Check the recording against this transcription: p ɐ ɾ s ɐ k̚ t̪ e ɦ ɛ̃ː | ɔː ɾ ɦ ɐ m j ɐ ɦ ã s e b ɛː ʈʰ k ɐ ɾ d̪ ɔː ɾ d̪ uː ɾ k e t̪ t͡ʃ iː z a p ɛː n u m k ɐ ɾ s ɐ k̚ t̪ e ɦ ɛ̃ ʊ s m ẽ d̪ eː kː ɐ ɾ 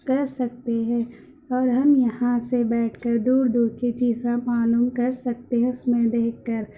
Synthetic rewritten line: k ɐ ɾ s ɐ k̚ t̪ e ɦ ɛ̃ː | ɔː ɾ ɦ ɐ m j ɐ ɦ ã s e b ɛː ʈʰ k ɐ ɾ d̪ uː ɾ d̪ uː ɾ k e t͡ʃ iː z a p aː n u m k ɐ ɾ s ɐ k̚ t̪ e ɦ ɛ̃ ʊ s m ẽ d̪ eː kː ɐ ɾ